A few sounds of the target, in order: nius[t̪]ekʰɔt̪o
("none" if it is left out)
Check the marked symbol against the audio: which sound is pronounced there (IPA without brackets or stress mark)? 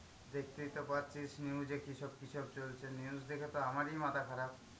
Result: d̪